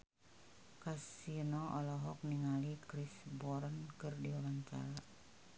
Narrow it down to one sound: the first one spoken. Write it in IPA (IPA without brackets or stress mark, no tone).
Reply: k